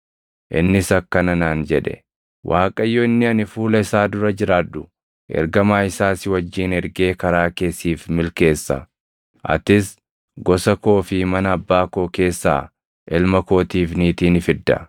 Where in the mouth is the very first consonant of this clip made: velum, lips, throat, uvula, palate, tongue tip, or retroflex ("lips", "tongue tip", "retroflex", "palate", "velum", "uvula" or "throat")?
throat